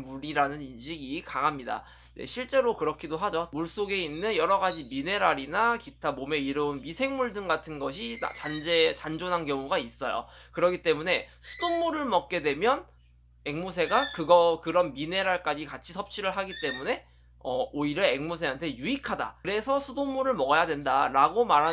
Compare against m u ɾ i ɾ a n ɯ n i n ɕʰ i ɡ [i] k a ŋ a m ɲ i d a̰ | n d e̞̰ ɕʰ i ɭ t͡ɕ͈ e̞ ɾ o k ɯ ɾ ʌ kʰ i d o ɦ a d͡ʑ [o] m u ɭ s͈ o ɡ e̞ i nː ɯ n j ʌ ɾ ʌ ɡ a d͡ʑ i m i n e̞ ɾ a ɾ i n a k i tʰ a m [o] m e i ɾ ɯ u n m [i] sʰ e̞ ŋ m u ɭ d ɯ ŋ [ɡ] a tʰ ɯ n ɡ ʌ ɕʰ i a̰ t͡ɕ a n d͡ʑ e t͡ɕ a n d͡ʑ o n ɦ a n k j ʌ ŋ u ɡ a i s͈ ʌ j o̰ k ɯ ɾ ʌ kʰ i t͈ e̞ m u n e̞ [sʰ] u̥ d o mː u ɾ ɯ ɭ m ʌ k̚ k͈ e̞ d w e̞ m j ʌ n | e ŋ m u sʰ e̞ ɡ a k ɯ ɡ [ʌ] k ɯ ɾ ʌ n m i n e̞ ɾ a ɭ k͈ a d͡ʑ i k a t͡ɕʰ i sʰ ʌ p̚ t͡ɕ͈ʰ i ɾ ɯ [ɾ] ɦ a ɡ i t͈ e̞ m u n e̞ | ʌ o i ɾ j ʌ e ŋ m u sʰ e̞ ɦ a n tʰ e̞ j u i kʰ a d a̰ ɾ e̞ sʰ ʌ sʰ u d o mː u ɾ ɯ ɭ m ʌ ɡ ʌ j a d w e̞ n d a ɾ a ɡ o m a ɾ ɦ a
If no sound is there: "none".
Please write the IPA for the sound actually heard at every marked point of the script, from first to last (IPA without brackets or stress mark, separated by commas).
i, o, o, i, ɡ, sʰ, ʌ, ɭ